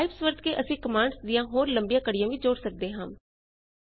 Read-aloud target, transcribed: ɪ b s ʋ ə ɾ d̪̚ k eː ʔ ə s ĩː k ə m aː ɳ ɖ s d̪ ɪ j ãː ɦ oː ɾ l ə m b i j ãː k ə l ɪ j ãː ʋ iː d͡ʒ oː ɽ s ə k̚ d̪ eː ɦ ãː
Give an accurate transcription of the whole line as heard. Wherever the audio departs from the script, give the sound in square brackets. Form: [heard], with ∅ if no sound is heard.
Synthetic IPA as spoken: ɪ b s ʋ ə ɾ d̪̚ k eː ʔ ə s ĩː k ə m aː ɳ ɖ s d̪ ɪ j ãː ɦ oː ɾ l ə m b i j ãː k ə [ɽ] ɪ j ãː ʋ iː d͡ʒ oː ɽ s ə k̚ d̪ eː ɦ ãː

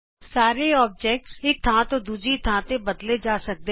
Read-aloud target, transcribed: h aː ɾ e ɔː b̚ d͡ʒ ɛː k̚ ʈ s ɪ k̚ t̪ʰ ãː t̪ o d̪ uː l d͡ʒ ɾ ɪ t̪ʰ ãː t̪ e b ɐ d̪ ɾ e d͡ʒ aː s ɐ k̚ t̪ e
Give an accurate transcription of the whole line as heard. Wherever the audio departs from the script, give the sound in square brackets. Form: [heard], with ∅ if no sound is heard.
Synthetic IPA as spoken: [s] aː ɾ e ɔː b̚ d͡ʒ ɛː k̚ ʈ s ɪ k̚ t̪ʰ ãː t̪ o d̪ uː [∅] d͡ʒ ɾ [i] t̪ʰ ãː t̪ e b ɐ d̪ [l] e d͡ʒ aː s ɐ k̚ [d̪] e

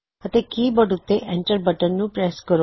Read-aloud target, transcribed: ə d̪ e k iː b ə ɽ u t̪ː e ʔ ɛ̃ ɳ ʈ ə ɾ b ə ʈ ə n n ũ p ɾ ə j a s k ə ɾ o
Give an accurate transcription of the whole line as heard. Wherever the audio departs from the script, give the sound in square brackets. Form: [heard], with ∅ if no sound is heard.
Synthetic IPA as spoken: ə [t̪] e k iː b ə ɽ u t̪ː e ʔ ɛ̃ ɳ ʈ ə ɾ b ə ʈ ə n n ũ p ɾ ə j a s k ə ɾ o

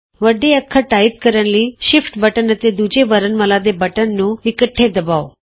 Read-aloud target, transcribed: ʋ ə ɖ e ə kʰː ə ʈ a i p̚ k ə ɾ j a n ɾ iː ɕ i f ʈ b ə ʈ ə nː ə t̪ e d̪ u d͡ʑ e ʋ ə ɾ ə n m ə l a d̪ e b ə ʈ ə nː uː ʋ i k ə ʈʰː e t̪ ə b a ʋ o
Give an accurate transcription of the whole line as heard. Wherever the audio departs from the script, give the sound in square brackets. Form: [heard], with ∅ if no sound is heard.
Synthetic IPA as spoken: ʋ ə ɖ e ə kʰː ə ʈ a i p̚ k ə ɾ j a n [l] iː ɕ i f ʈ b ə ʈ ə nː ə t̪ e d̪ u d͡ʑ e ʋ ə ɾ ə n m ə l a d̪ e b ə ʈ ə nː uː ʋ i k ə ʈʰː e [d̪] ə b a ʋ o

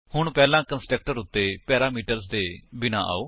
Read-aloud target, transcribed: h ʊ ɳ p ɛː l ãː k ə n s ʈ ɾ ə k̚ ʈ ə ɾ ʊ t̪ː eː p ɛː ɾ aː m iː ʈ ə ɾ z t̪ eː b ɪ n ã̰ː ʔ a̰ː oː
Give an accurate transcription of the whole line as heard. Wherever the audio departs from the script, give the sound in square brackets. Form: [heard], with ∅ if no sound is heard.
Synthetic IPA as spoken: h ʊ ɳ p ɛː l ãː k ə n s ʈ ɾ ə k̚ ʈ ə ɾ ʊ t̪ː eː p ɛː ɾ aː m iː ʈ ə ɾ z [d̪] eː b ɪ n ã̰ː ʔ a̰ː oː

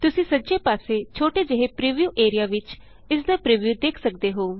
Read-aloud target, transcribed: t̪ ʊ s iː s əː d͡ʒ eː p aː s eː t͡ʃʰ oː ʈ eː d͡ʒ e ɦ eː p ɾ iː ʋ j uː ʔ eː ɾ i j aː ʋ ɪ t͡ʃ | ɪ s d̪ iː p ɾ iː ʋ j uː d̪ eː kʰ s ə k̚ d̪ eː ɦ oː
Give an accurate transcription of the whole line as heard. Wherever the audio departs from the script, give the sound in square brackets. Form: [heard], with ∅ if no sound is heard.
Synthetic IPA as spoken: t̪ ʊ s [ĩː] s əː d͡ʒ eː p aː s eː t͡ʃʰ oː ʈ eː d͡ʒ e ɦ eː p ɾ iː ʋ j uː ʔ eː ɾ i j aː ʋ ɪ t͡ʃ | ɪ s d̪ [aː] p ɾ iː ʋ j uː d̪ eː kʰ s ə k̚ d̪ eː ɦ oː

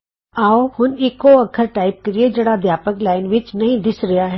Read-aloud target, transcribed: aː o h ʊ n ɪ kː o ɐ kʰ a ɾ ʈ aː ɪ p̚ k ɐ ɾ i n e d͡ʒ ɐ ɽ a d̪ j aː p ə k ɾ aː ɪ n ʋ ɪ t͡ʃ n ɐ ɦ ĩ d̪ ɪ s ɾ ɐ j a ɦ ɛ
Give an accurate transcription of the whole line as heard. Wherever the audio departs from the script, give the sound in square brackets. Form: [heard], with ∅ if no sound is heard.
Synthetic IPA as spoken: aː o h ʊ n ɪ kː o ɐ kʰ [ə] ɾ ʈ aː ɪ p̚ k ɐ ɾ i [∅] e d͡ʒ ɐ ɽ a d̪ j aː p ə k [l] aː ɪ n ʋ ɪ t͡ʃ n ɐ ɦ ĩ d̪ ɪ s ɾ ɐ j a ɦ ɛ

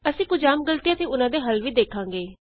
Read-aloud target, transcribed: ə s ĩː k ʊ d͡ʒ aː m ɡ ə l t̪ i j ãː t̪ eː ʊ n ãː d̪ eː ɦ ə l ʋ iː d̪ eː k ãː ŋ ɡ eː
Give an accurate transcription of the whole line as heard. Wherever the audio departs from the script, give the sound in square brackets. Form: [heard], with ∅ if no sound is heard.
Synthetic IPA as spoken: ə s ĩː k ʊ d͡ʒ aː m ɡ ə l t̪ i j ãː t̪ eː ʊ n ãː d̪ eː ɦ ə l ʋ iː d̪ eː [kʰ] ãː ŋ ɡ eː

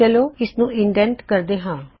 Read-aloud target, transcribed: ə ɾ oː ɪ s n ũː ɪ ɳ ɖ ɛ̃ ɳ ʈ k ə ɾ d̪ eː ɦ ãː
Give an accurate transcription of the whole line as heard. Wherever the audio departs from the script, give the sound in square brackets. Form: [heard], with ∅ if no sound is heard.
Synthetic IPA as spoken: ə [l] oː ɪ s n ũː ɪ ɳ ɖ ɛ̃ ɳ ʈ k ə ɾ d̪ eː ɦ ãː

